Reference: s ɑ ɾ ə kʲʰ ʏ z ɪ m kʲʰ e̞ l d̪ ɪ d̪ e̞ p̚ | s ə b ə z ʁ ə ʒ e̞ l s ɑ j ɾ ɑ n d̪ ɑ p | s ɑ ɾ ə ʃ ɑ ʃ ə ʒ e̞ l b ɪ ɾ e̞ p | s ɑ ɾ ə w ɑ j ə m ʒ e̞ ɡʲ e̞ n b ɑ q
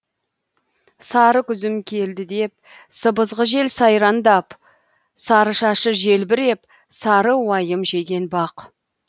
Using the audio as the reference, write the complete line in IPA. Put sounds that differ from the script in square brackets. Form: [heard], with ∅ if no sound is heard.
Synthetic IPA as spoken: s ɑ ɾ ə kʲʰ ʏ z ɪ m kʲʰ e̞ l d̪ ɪ d̪ e̞ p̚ | s ə b ə z ʁ ə ʒ e̞ l s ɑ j ɾ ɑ n d̪ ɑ p | s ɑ ɾ ə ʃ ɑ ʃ ə ʒ e̞ l b ɪ ɾ e̞ p | s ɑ ɾ ə w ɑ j ə m ʒ e̞ ɡʲ e̞ n b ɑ q